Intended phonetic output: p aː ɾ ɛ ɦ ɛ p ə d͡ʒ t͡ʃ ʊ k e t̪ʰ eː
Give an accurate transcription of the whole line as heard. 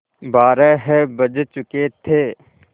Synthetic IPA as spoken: b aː ɾ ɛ ɦ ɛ b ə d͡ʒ t͡ʃ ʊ k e t̪ʰ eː